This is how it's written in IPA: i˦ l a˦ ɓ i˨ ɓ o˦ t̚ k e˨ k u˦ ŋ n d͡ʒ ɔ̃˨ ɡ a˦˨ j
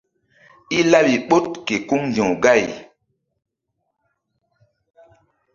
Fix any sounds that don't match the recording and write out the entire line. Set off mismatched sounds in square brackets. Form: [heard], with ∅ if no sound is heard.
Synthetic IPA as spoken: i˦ l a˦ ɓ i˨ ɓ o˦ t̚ k e˨ k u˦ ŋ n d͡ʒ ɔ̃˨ ɡ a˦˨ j

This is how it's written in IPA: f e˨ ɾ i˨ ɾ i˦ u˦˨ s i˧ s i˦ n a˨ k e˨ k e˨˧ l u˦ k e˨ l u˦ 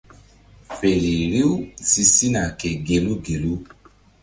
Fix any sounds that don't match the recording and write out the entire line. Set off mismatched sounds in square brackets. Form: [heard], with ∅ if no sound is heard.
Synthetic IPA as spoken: f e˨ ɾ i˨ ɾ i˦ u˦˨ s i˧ s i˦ n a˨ k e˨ [ɡ] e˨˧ l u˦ [ɡ] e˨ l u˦

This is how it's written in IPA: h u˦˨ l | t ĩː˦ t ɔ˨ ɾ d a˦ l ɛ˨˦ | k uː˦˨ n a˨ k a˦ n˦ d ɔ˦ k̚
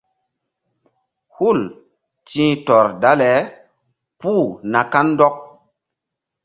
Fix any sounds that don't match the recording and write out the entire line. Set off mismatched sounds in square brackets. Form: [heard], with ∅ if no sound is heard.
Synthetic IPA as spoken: h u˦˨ l | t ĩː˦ t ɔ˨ ɾ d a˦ l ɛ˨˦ | [p] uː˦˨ n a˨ k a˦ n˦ d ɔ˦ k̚

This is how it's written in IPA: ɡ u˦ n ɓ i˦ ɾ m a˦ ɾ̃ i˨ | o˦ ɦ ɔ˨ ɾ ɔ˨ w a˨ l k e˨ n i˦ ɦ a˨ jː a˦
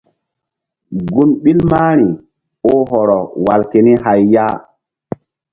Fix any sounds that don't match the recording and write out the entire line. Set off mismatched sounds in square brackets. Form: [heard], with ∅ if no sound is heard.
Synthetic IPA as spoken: ɡ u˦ n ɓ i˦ [l] m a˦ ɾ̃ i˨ | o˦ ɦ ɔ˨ ɾ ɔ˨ w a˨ l k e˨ n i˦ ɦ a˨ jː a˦

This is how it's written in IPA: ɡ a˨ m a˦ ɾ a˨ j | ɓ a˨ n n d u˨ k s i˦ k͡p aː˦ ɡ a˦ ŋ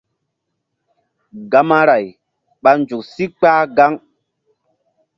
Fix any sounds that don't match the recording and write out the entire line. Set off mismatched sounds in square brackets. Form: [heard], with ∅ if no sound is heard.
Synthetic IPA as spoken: ɡ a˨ m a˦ ɾ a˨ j | ɓ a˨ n n [d͡ʒ] u˨ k s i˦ k͡p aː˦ ɡ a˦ ŋ

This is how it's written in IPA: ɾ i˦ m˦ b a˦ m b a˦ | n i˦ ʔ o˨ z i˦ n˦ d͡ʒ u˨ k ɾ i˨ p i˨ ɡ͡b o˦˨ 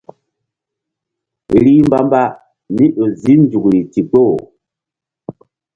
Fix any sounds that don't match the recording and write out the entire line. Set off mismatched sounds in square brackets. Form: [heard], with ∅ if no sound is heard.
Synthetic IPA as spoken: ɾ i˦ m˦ b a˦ m b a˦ | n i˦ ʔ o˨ z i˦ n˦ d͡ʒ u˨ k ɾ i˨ [t] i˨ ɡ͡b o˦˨

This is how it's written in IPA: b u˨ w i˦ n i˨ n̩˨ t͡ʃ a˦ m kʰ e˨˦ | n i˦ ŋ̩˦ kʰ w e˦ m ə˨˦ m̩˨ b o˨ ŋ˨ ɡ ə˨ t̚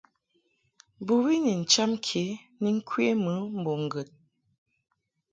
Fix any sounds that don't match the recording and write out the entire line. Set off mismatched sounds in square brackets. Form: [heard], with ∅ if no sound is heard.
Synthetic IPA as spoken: b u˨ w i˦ n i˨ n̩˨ t͡ʃ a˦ m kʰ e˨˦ | n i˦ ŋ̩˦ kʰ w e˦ m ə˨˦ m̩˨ b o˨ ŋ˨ ɡ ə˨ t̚

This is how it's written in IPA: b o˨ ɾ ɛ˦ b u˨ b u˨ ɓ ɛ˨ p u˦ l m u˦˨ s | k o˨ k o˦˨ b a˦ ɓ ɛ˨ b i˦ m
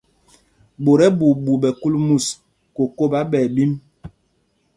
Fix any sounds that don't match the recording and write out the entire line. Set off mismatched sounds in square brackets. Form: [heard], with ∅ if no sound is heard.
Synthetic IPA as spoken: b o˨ ɾ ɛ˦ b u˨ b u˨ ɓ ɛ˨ [k] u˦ l m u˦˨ s | k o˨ k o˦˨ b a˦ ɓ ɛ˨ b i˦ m

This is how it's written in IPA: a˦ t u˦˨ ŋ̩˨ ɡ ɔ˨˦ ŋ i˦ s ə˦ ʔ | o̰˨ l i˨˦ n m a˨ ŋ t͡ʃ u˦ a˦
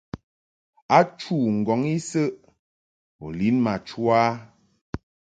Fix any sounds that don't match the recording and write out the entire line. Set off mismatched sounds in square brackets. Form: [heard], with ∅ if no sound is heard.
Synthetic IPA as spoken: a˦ [t͡ʃ] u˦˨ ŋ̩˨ ɡ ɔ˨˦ ŋ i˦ s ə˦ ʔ | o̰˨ l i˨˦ n m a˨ [∅] t͡ʃ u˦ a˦

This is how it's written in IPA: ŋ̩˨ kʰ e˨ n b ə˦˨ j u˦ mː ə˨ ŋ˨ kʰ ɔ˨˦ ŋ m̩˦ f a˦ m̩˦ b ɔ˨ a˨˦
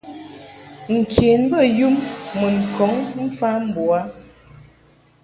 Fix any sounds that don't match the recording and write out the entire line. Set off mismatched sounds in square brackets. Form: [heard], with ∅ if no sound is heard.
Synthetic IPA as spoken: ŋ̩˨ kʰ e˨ n b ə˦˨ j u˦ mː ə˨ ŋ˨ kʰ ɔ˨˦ ŋ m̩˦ f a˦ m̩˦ b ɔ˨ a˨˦

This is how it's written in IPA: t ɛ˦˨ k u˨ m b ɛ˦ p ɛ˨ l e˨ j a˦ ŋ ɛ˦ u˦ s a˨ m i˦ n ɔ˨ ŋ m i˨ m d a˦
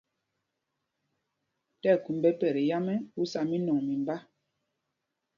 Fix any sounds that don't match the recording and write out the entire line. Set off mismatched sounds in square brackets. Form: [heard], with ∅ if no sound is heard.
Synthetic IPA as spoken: t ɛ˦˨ k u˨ m b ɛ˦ p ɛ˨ [ɾ] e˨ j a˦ [m] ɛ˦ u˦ s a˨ m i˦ n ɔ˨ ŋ m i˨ m [b] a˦

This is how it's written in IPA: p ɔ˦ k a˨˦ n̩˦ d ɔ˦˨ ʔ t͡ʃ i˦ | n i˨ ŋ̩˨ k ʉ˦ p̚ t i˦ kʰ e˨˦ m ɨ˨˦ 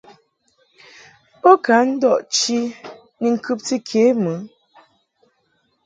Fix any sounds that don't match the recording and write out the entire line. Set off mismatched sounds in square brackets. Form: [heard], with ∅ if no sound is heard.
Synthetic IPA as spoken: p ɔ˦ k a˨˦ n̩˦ d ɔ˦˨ ʔ t͡ʃ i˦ | n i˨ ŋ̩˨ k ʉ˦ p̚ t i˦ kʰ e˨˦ m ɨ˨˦

